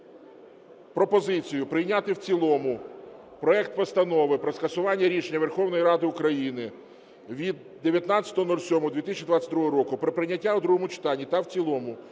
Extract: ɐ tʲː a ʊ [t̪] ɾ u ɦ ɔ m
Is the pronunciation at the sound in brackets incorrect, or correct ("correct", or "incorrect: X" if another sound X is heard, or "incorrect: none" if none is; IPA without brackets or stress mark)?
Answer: incorrect: d̪